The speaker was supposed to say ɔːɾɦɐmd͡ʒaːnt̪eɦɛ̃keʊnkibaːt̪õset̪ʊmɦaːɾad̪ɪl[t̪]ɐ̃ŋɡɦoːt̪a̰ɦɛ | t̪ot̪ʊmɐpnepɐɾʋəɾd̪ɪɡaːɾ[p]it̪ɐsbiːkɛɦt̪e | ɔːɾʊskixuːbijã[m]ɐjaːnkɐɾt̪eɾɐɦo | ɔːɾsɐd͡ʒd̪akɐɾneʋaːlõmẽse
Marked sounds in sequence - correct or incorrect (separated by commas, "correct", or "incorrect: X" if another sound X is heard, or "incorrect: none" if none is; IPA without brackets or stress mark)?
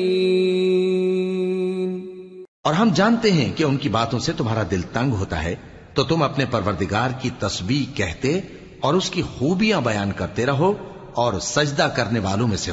correct, incorrect: k, incorrect: b